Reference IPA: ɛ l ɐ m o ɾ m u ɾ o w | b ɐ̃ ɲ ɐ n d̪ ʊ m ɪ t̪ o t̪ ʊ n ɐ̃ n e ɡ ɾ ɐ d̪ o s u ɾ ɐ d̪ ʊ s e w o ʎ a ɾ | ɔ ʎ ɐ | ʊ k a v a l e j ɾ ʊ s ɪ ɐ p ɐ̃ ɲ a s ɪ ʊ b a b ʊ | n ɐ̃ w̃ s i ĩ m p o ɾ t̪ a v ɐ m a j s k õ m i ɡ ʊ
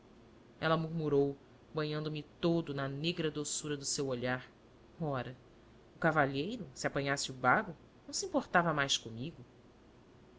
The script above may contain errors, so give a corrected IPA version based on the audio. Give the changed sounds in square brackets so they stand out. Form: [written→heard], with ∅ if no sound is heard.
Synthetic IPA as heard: ɛ l ɐ m [o→u] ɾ m u ɾ o w | b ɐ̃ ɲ [ɐ→ɐ̃] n d̪ ʊ m ɪ t̪ o [t̪→d̪] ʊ n [ɐ̃→ɐ] n e ɡ ɾ ɐ d̪ o s u ɾ ɐ d̪ ʊ s e w o ʎ a ɾ | ɔ [ʎ→ɾ] ɐ | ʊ k a v a [l→ʎ] e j ɾ ʊ s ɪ [ɐ→a] p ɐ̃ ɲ a s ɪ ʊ b a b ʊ | n ɐ̃ w̃ s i ĩ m p o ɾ t̪ a v ɐ m a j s k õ m i ɡ ʊ